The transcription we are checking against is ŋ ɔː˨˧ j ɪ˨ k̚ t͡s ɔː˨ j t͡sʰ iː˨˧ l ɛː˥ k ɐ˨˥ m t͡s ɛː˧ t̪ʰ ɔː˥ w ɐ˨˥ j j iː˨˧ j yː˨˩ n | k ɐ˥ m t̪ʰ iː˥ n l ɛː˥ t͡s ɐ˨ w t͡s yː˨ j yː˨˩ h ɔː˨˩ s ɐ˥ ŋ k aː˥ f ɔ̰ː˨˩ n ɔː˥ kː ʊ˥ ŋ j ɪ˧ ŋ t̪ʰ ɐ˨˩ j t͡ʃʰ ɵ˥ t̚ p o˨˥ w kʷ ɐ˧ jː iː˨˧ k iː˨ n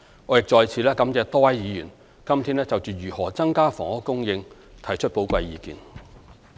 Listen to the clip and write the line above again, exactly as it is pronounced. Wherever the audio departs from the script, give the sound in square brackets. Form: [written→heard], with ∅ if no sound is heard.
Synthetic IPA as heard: ŋ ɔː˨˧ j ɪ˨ k̚ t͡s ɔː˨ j t͡sʰ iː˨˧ l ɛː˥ k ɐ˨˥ m t͡s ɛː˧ [t̪ʰ→t̪] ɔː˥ w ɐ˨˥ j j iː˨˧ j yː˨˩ n | k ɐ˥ m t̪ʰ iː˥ n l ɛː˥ t͡s ɐ˨ w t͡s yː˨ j yː˨˩ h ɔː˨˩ [s→t͡s] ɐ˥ ŋ k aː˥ f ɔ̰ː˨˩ [n→ŋ] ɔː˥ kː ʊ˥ ŋ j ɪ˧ ŋ t̪ʰ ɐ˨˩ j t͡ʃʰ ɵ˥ t̚ p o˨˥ w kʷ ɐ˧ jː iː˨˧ k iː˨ n